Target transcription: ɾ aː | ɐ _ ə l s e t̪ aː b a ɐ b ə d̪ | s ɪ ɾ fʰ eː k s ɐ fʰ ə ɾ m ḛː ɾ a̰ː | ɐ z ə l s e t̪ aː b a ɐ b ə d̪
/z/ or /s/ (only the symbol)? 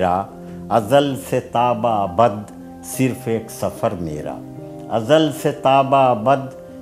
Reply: z